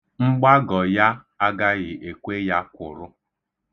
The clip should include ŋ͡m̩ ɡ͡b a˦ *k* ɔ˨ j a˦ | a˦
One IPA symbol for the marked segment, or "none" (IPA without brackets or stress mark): ɡ